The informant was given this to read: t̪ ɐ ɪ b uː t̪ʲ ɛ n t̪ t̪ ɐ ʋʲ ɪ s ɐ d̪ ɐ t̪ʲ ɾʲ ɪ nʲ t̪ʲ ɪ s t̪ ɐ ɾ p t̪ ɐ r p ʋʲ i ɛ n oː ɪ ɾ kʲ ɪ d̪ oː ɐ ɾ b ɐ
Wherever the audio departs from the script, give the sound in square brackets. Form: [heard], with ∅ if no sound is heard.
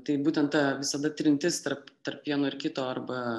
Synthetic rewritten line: t̪ ɐ ɪ b uː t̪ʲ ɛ n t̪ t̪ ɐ ʋʲ ɪ s ɐ d̪ ɐ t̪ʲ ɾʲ ɪ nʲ t̪ʲ ɪ s t̪ ɐ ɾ p t̪ ɐ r p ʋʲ i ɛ n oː ɪ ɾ kʲ ɪ [t̪] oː ɐ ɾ b ɐ